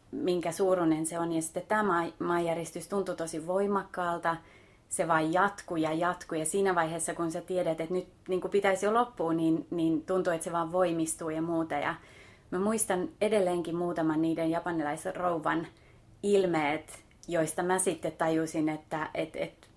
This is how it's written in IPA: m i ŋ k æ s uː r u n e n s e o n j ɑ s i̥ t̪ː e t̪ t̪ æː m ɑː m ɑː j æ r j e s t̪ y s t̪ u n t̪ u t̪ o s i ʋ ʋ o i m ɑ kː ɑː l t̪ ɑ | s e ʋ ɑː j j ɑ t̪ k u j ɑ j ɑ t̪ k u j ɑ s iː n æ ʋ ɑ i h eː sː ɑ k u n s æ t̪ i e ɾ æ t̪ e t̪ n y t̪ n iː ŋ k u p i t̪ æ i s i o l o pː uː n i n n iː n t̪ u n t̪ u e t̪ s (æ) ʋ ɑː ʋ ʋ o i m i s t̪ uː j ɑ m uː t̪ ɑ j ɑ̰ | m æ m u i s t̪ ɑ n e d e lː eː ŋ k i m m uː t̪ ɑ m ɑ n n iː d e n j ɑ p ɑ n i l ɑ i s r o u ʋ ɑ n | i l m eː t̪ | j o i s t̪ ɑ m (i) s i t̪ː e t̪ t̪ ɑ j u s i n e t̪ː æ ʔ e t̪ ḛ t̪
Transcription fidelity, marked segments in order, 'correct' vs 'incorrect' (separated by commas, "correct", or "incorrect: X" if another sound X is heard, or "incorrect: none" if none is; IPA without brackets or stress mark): incorrect: e, incorrect: æ